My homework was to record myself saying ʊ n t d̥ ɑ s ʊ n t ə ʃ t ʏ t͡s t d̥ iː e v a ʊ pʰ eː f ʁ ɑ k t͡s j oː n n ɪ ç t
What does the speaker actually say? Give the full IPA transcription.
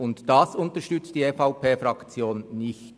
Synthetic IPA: ʊ n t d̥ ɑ s ʊ n t ə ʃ t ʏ t͡s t d̥ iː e f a ʊ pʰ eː f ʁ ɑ k t͡s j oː n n ɪ ç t

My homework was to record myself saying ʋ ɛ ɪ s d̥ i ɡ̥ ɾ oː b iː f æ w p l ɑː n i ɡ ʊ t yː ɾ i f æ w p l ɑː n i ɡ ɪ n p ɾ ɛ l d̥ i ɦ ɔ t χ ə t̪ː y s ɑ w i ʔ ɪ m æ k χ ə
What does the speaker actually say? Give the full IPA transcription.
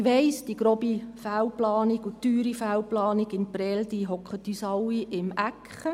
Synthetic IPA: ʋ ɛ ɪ s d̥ i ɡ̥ ɾ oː b i f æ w p l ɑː n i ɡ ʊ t yː ɾ i f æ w p l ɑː n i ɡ ɪ n p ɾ ɛ l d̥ i ɦ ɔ k χ ə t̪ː y s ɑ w i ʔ ɪ m æ k χ ə

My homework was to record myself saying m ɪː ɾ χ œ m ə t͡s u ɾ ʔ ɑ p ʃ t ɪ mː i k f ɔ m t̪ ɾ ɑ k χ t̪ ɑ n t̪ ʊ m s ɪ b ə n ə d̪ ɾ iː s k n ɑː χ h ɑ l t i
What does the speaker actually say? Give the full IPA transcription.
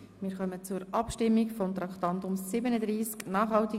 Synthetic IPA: m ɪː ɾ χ œ m ə t͡s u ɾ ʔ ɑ p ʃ t ɪ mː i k f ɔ m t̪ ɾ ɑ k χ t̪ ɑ n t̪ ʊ m s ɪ b ə n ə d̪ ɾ iː s k n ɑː χ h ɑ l t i

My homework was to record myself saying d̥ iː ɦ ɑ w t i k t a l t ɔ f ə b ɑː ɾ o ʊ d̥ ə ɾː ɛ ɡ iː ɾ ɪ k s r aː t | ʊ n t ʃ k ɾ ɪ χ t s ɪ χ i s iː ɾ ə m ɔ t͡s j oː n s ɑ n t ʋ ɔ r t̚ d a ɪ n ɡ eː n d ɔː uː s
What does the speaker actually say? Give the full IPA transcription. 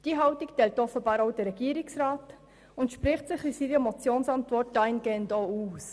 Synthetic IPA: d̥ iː ɦ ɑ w t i k t ɛ l t ɔ f ə b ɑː ɾ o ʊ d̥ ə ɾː ɛ ɡ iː ɾ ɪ k s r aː t | ʊ n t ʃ p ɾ ɪ χ t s ɪ χ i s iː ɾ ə m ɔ t͡s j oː n s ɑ n t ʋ ɔ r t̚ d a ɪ n ɡ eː n d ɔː uː s

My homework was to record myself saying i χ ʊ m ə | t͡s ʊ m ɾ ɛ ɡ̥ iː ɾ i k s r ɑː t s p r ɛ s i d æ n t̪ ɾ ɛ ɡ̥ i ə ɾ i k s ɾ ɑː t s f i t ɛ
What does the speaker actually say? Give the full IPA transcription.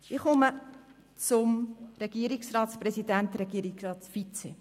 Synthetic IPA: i χ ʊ m ə | t͡s ʊ m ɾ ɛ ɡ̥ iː ɾ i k s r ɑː t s p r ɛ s i d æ n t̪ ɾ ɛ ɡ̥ i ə ɾ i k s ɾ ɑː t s f i t͡s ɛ

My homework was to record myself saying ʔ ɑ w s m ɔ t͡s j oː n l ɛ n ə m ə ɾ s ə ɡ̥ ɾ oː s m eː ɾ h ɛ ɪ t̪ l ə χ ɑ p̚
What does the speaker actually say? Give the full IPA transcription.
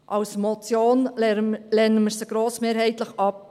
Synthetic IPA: ʔ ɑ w s m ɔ t͡s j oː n l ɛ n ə m ə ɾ s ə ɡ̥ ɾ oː s m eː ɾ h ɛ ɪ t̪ l ə χ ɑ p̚

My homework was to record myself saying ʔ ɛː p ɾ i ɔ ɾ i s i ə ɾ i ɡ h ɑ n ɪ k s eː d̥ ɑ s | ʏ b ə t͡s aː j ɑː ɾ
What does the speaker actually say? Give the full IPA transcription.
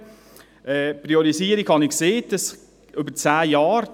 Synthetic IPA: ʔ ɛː p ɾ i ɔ ɾ i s i ə ɾ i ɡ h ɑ n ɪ k s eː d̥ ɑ s | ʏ b ə t͡s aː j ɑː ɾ

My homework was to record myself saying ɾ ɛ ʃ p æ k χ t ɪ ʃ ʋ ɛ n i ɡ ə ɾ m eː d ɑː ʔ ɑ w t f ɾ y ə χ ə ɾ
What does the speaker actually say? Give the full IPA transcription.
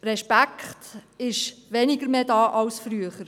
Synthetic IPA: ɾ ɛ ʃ p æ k χ t ɪ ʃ ʋ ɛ n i ɡ ə ɾ m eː d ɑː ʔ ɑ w s f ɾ y ə χ ə ɾ

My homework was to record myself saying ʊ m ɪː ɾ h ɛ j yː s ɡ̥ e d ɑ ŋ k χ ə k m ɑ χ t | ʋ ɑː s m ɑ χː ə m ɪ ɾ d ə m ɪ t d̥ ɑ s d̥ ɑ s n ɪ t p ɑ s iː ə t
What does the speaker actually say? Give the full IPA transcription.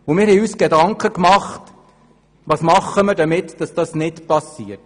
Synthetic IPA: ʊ m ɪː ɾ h ɛ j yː s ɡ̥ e d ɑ ŋ k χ ə k m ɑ χ t | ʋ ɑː s m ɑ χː ə m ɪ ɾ d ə m ɪ t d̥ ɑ s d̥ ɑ s n ɪ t p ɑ s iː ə t

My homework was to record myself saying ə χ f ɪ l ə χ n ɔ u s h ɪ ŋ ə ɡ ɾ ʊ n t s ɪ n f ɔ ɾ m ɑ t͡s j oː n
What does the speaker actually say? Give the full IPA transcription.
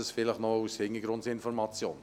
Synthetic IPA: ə s f ɪ l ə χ n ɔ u s h ɪ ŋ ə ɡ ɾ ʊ n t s ɪ n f ɔ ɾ m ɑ t͡s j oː n

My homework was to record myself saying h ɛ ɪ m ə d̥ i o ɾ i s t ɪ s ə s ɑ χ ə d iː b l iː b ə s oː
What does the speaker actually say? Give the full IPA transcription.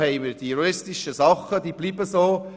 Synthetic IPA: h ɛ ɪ m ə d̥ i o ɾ ɪ s t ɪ ʃ ə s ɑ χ ə d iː b l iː b ə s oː

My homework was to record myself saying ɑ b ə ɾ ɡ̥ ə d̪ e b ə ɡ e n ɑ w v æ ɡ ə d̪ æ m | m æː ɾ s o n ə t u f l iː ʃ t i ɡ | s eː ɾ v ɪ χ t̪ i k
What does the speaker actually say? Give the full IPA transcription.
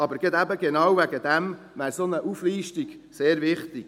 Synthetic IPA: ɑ b ə ɾ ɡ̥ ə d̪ æ b ə ɡ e n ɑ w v æ ɡ ə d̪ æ m | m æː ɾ s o n ə ʔ u f l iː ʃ t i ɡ | s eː ɾ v ɪ χ t̪ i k

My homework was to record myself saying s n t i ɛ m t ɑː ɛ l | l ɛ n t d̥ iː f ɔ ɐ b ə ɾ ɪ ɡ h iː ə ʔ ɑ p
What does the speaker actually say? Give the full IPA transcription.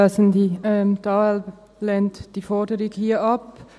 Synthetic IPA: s n d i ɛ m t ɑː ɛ l | l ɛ n t d̥ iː f ɔ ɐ d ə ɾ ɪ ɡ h iː ɐ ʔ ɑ p

